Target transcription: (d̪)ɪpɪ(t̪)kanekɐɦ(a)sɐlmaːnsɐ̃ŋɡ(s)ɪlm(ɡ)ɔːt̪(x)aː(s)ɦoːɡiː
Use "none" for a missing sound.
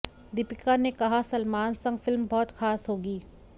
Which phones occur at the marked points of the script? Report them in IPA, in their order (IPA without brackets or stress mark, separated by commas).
d̪, none, a, f, b, x, s